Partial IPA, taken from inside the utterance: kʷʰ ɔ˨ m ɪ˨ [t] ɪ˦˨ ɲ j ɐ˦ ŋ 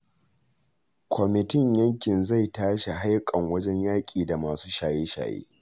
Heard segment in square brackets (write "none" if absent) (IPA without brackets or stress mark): t